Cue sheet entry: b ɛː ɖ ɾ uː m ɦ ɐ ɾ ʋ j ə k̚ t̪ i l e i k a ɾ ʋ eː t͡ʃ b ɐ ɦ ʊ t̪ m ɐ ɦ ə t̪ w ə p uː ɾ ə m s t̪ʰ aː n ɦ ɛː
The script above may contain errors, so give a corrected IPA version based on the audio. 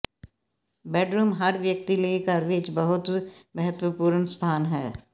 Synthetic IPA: b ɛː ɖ ɾ uː m ɦ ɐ ɾ ʋ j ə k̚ t̪ i l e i k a ɾ ʋ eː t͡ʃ b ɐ ɦ ʊ t̪ m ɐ ɦ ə t̪ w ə p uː ɾ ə n s t̪ʰ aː n ɦ ɛː